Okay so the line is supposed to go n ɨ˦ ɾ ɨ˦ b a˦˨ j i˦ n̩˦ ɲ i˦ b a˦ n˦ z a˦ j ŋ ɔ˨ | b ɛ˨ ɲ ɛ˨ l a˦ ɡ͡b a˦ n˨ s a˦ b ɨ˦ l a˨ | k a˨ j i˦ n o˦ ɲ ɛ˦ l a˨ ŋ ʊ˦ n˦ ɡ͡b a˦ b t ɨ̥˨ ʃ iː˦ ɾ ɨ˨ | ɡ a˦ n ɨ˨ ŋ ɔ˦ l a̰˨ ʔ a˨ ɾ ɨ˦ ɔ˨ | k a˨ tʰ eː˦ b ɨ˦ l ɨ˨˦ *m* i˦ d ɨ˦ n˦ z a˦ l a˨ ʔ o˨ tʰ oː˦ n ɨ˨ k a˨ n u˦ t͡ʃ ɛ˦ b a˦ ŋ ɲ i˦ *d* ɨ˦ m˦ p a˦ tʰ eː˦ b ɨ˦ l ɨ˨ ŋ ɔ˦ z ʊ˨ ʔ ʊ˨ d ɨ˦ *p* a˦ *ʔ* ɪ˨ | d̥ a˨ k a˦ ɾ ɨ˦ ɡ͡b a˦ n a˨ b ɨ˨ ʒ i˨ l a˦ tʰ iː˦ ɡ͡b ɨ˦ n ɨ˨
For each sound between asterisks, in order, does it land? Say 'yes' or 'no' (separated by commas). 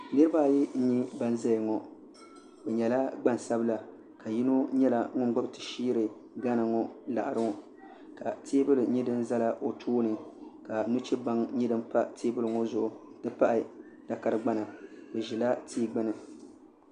no, yes, yes, yes